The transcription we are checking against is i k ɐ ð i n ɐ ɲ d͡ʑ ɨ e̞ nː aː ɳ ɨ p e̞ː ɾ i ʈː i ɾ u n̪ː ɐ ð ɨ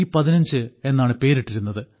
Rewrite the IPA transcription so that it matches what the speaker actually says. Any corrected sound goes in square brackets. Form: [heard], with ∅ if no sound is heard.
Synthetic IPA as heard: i [p] ɐ ð i n ɐ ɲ d͡ʑ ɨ e̞ nː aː ɳ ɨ p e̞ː ɾ i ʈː i ɾ u n̪ː ɐ ð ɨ